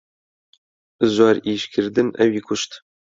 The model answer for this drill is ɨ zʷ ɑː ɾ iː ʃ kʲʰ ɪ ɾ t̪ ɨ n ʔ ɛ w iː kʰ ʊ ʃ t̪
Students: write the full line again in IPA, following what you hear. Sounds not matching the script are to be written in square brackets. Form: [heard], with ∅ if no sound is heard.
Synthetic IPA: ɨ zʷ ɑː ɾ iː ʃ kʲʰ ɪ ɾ [d̪] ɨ n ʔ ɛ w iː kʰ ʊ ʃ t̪